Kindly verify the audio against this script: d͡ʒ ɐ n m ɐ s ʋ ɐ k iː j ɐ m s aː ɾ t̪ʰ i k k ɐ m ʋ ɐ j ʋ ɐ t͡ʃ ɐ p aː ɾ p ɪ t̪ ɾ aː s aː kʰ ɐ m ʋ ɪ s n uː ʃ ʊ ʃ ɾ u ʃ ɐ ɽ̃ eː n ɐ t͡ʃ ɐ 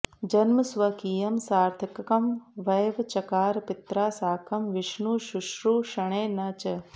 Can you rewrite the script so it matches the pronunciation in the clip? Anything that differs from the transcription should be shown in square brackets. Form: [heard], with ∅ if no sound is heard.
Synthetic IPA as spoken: d͡ʒ ɐ n m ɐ s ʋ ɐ k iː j ɐ m s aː ɾ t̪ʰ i k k ɐ m ʋ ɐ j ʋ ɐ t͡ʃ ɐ [k] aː ɾ p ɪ t̪ ɾ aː s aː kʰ ɐ m ʋ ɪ [ʃ] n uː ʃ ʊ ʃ ɾ u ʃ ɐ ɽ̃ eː n ɐ t͡ʃ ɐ